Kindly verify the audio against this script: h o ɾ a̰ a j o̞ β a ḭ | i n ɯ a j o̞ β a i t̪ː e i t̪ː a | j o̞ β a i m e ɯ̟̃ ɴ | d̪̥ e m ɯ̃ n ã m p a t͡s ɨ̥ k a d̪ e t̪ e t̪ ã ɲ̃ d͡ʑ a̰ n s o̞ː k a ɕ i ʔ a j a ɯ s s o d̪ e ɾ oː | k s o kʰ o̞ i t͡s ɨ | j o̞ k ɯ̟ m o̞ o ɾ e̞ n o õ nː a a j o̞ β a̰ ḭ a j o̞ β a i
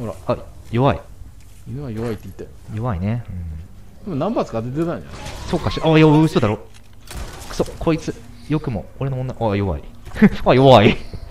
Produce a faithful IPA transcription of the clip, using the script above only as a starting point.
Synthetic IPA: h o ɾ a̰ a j o̞ β a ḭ | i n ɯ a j o̞ β a i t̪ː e i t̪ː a | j o̞ β a i n e ɯ̟̃ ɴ | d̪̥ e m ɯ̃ n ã m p a t͡s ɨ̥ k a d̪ e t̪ e t̪ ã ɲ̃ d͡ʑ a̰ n s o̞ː k a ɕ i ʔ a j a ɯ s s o d̪ a ɾ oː | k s o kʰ o̞ i t͡s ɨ | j o̞ k ɯ̟ m o̞ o ɾ e̞ n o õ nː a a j o̞ β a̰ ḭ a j o̞ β a i